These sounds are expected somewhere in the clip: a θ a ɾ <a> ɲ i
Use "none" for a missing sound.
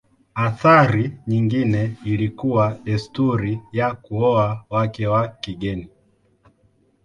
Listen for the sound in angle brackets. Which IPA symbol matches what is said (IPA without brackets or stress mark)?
i